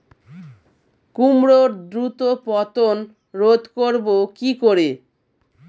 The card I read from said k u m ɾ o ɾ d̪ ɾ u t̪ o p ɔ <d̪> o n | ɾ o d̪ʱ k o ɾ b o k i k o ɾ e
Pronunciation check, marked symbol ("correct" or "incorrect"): incorrect